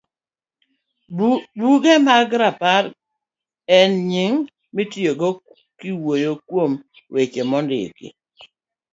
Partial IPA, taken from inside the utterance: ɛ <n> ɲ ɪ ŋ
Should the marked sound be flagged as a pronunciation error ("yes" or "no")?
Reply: no